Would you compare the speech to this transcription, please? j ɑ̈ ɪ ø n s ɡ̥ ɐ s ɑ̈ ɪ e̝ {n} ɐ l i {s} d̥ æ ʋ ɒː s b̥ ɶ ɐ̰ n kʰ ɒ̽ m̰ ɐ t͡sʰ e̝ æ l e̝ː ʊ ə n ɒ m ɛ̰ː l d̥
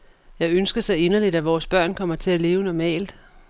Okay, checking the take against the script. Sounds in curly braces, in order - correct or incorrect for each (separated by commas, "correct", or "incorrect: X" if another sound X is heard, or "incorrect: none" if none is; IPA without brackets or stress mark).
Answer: correct, incorrect: none